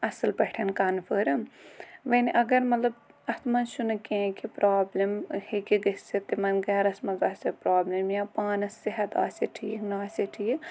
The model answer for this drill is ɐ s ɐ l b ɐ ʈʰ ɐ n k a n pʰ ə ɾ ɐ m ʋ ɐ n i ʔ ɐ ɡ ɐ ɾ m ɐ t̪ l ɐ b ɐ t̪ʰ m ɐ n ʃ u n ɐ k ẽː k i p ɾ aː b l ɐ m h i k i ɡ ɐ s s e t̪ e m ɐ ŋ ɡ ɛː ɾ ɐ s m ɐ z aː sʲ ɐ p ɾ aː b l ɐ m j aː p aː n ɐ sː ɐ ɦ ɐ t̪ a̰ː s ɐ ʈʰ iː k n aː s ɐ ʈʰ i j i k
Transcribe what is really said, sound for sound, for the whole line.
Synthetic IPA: ɐ s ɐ l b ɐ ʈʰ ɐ n k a n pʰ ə ɾ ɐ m ʋ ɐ n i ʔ ɐ ɡ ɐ ɾ m ɐ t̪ l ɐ b ɐ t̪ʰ m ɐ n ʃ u n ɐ k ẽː k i p ɾ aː b l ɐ m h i k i ɡ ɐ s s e t̪ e m ɐ n ɡ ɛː ɾ ɐ s m ɐ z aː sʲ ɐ p ɾ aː b l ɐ m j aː p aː n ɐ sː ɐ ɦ ɐ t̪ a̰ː s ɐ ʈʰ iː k n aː s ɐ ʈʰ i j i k